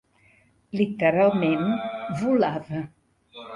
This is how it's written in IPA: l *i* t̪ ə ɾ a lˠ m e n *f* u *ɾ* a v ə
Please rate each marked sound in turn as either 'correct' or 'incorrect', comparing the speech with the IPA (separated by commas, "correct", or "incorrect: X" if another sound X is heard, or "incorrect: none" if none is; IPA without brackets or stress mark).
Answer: correct, incorrect: v, incorrect: l